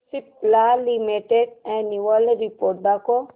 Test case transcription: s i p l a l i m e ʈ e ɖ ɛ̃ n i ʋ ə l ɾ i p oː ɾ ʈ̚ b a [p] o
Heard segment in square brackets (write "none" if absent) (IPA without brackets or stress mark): k